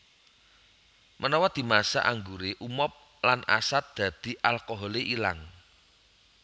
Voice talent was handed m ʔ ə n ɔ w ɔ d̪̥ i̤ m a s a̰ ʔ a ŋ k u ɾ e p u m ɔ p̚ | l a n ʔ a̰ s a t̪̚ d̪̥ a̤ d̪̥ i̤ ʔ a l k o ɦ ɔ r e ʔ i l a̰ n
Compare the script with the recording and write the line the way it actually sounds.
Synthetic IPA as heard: m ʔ ə n ɔ w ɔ d̪̥ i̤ m a s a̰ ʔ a ŋ ɡ u ɾ e ʔ u m ɔ p̚ | l a n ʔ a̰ s a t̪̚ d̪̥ a̤ d̪̥ i̤ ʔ a l k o ɦ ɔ l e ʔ i l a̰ ŋ